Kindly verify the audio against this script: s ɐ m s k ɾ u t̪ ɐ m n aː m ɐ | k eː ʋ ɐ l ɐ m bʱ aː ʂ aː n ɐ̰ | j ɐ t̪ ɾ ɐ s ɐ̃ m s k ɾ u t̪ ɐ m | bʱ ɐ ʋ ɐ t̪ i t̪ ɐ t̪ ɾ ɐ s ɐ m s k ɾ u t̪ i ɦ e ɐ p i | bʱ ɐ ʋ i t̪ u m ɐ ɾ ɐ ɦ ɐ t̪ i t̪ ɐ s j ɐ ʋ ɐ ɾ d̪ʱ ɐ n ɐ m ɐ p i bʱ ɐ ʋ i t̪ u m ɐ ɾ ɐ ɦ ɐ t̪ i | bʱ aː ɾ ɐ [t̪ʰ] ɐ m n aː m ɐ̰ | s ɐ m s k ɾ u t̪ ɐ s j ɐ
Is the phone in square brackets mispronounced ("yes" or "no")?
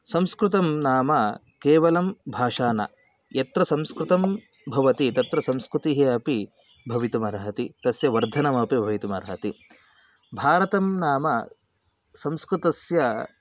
yes